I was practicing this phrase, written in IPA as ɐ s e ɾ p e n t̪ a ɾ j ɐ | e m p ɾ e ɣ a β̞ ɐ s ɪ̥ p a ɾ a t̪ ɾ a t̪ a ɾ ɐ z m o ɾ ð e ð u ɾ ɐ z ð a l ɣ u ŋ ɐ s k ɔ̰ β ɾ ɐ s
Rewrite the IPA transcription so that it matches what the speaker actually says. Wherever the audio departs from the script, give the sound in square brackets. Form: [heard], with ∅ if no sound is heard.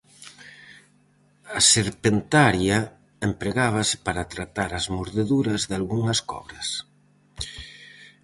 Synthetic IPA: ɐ s e ɾ p e n t̪ a ɾ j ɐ | e m p ɾ e ɣ a β̞ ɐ s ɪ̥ p a ɾ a t̪ ɾ a t̪ a ɾ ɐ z m o ɾ ð e ð u ɾ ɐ z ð a l ɣ u ŋ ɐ s k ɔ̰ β ɾ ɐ s